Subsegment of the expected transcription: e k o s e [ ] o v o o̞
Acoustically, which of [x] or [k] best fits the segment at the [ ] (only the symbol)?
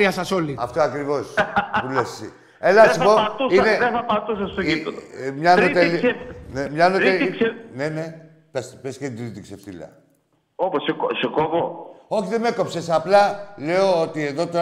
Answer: k